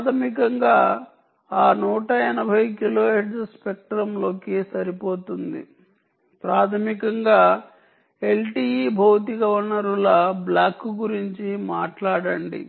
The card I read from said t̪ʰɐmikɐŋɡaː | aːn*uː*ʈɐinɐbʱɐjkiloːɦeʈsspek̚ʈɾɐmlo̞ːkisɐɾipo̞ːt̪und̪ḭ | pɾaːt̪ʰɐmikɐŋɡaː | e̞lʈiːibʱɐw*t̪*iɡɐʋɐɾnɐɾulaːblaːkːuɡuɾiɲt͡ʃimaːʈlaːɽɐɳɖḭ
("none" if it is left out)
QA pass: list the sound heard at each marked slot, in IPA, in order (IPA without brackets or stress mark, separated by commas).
uː, t̪